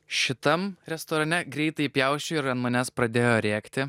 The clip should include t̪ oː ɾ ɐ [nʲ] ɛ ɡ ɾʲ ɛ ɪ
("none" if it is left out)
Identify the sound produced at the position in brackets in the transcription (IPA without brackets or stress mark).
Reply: nʲ